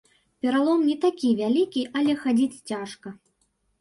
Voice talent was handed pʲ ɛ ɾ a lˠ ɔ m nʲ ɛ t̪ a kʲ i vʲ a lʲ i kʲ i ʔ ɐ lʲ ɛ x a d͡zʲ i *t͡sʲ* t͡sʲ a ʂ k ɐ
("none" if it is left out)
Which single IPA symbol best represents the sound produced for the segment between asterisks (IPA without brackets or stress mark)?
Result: t͡sʲ